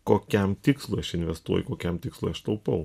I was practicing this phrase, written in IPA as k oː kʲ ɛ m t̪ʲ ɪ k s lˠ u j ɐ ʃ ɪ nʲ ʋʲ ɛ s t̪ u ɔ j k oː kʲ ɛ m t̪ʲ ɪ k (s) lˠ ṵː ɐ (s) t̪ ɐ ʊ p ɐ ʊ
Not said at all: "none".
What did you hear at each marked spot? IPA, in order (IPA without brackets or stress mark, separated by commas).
s, ʃ